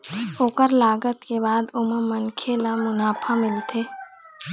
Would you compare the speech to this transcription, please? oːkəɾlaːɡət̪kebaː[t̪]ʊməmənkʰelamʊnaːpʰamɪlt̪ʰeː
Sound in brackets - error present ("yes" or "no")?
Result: yes